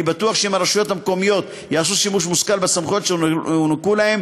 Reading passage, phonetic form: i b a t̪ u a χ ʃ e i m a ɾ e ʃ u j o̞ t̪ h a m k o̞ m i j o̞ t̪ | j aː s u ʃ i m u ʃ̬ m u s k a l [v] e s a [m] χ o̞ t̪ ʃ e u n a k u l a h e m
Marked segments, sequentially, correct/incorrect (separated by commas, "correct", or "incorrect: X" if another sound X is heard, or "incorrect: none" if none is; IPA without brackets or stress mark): incorrect: b, correct